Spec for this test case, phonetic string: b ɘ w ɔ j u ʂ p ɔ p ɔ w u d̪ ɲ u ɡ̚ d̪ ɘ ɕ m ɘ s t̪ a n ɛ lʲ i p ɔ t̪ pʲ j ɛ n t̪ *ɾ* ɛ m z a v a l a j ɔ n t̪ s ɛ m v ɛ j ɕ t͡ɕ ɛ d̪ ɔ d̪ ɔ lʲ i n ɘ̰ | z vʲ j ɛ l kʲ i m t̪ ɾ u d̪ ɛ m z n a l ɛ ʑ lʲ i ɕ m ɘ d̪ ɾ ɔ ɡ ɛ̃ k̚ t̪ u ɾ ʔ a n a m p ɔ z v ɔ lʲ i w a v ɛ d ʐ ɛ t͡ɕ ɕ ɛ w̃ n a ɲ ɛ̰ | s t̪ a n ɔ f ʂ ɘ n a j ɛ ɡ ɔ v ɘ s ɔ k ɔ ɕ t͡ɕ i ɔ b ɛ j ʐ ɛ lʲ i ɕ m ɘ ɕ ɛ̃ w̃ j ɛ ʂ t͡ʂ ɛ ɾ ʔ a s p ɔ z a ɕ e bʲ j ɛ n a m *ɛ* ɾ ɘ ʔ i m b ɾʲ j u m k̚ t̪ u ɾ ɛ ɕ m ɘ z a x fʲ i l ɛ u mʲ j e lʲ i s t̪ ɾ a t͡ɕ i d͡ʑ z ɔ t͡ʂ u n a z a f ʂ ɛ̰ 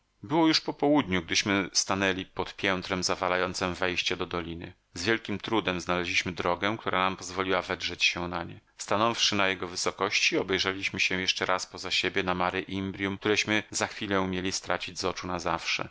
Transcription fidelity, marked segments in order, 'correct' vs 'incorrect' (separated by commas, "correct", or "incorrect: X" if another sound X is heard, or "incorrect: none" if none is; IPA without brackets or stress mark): correct, incorrect: a